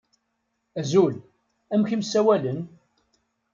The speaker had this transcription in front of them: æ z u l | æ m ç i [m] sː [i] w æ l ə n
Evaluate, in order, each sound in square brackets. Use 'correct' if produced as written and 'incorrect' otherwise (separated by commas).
correct, incorrect